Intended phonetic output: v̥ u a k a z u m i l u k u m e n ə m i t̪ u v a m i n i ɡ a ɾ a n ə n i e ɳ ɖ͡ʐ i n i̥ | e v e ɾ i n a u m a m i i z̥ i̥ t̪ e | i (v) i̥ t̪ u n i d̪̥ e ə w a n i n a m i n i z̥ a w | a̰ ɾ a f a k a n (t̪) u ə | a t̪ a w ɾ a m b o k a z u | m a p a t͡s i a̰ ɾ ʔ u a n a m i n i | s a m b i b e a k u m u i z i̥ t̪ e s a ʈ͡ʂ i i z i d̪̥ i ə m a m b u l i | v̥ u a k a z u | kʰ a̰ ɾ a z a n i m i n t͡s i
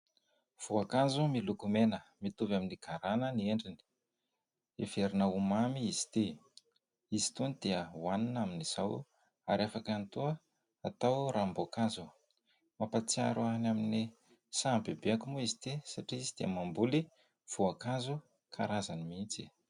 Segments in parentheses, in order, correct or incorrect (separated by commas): incorrect, correct